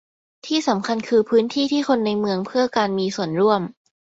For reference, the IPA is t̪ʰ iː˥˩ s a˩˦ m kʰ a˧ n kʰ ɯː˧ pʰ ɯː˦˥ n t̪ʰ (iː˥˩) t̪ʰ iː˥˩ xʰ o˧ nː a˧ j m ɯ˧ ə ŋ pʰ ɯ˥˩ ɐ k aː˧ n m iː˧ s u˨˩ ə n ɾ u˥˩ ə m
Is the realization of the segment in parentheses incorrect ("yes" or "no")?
no